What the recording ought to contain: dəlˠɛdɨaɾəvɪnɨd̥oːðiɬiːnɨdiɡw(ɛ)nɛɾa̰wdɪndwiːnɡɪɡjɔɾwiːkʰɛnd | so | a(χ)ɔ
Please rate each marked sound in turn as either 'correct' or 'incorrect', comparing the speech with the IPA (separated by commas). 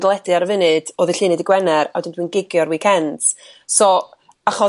correct, correct